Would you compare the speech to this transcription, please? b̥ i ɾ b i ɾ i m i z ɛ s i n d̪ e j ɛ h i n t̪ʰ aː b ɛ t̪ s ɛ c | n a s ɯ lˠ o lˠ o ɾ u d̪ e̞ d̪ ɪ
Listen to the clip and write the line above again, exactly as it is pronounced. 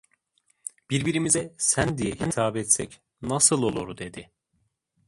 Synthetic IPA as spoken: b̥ i ɾ b i ɾ i m i z ɛ s æ n d̪ i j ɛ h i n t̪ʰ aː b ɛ t̪ s ɛ c | n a s ɯ lˠ o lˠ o ɾ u d̪ e̞ d̪ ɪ